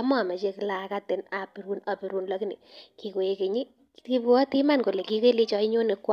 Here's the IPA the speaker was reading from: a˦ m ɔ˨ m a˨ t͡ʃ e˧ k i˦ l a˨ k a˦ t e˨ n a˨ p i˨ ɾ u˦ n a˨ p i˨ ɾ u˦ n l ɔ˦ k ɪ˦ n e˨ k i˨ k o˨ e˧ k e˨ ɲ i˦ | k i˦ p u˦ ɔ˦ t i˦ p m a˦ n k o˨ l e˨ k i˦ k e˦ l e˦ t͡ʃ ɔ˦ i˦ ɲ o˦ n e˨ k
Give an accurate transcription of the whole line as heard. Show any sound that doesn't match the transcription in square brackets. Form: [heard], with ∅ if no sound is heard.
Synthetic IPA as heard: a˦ m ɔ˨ m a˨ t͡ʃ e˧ k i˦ l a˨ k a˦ t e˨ n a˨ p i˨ ɾ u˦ n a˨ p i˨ ɾ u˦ n l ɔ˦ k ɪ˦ n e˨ k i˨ k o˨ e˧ k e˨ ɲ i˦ | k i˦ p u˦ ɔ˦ t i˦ [∅] m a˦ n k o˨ l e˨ k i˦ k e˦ l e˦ t͡ʃ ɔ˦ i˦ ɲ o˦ n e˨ k